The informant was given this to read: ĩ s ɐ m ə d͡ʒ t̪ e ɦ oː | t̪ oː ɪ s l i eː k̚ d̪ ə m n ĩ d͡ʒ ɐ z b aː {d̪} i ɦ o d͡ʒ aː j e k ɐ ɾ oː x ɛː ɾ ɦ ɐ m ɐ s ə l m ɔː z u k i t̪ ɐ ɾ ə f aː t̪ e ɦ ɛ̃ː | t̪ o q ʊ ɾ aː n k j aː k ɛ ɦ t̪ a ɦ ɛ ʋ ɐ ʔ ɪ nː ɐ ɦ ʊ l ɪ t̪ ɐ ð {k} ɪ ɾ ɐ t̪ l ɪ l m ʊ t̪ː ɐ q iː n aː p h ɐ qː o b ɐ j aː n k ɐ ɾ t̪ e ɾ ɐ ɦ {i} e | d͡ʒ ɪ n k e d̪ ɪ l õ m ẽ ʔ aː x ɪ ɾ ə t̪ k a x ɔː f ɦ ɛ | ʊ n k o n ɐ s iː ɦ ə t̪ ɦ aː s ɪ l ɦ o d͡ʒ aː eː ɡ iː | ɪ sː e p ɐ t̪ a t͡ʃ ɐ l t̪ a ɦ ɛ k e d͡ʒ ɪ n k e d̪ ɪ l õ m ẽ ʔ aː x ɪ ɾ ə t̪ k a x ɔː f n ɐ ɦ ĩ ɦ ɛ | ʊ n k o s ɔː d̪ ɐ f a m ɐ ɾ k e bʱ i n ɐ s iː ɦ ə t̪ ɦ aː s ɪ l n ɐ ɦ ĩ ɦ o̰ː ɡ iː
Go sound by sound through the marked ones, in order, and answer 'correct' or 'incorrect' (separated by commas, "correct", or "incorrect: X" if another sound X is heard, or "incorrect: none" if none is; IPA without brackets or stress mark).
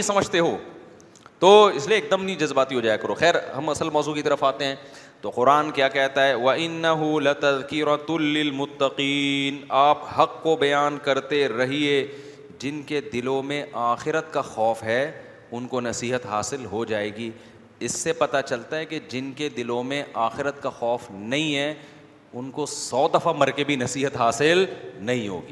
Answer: incorrect: t̪, correct, correct